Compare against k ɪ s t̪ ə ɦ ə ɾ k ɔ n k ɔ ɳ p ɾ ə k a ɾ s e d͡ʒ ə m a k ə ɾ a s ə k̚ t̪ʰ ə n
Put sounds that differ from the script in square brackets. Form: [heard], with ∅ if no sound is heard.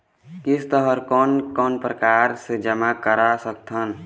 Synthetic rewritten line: k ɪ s t̪ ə ɦ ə ɾ k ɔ n k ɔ [n] p ɾ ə k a ɾ s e d͡ʒ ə m a k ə ɾ a s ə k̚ t̪ʰ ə n